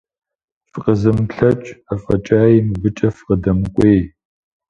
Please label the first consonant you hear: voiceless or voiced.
voiceless